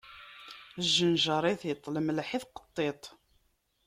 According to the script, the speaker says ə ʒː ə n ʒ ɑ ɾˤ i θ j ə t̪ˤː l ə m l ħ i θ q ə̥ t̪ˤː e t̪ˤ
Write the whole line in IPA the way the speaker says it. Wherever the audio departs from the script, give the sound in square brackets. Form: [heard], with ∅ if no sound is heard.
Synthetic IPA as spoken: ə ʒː ə n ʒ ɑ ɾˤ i θ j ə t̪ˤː l ə m l ħ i θ q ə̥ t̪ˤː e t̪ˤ